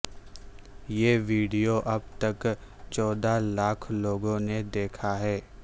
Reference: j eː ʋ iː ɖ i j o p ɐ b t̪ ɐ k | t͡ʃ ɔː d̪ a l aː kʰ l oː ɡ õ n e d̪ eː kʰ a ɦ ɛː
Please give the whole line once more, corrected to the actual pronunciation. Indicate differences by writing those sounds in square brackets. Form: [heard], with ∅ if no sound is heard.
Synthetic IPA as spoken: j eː ʋ iː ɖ i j o [ʔ] ɐ b t̪ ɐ k | t͡ʃ ɔː d̪ a l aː kʰ l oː ɡ õ n e d̪ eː kʰ a ɦ ɛː